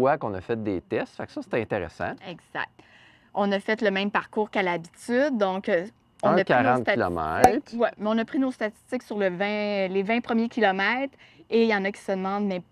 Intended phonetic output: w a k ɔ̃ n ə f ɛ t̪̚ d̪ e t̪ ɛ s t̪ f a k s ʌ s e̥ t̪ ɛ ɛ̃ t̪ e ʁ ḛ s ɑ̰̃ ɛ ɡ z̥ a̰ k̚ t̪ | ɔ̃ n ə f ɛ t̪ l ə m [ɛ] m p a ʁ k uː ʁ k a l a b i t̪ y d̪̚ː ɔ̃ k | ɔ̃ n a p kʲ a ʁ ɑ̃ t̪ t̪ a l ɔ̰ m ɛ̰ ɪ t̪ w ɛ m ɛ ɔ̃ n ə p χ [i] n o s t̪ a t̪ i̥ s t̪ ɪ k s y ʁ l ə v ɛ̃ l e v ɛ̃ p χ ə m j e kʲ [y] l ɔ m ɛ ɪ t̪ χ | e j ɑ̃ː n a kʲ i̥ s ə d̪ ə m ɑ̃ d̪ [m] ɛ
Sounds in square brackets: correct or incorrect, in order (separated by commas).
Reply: incorrect, correct, incorrect, correct